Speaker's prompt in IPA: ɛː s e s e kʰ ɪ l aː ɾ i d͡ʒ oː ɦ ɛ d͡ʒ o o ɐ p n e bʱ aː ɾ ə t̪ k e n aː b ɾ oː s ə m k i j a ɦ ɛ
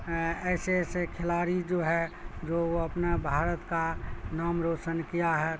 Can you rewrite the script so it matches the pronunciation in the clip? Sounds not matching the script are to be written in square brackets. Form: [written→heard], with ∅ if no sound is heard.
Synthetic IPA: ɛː s e s e kʰ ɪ l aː ɾ i d͡ʒ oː ɦ ɛ d͡ʒ o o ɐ p n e bʱ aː ɾ ə t̪ k [e→a] n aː [b→m] ɾ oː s ə [m→n] k i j a ɦ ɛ